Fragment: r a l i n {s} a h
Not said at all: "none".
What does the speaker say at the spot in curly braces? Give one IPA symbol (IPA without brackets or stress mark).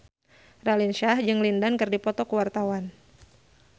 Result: ʃ